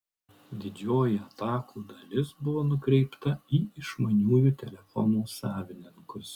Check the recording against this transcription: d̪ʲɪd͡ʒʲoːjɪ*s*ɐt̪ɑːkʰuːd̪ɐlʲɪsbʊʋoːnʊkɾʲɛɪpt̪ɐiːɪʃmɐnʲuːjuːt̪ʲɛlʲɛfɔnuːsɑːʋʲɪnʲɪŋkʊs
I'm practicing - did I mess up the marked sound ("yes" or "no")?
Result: yes